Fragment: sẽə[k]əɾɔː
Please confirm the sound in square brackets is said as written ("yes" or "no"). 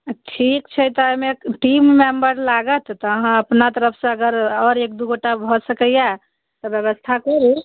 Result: no